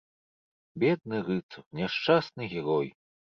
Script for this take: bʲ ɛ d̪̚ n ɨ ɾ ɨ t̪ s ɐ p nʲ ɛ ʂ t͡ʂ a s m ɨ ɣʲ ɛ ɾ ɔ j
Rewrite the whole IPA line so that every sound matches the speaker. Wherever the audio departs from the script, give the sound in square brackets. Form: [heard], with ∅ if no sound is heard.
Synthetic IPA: bʲ ɛ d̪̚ n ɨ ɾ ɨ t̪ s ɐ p nʲ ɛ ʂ t͡ʂ a s [n] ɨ ɣʲ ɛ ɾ ɔ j